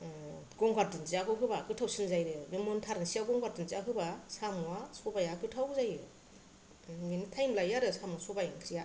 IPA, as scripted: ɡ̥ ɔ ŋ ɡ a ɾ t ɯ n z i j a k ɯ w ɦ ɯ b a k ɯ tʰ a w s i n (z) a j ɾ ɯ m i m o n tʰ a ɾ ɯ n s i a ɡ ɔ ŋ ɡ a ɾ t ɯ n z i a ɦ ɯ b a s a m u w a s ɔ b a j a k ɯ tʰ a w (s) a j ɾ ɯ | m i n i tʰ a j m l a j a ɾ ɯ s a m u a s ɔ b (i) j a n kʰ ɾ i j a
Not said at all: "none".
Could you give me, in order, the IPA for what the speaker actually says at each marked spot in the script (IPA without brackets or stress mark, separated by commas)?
z, z, a